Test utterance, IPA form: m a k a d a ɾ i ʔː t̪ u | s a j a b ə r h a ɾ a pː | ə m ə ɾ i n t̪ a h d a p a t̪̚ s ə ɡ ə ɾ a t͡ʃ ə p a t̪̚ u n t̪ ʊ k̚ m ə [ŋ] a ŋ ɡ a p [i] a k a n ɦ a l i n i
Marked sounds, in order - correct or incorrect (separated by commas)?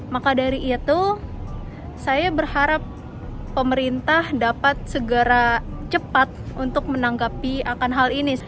incorrect, correct